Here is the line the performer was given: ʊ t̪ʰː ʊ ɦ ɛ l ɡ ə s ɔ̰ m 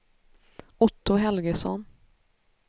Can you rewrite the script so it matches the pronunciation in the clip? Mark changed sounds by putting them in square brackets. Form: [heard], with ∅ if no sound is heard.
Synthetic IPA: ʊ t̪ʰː ʊ ɦ ɛ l ɡ ə s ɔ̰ [n]